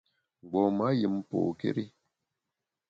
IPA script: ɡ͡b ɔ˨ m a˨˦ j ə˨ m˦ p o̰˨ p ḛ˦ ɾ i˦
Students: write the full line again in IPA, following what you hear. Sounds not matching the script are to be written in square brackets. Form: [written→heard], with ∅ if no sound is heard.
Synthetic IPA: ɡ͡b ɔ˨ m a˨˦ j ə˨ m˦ p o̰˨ [p→k] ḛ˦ ɾ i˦